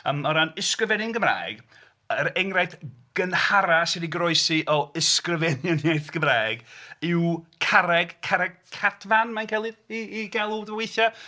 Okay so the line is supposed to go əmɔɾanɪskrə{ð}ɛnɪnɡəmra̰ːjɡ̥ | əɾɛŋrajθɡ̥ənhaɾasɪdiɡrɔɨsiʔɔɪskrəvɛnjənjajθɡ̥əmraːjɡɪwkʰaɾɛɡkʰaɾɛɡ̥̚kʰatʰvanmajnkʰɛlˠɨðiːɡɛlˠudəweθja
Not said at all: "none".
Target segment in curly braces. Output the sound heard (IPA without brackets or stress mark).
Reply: v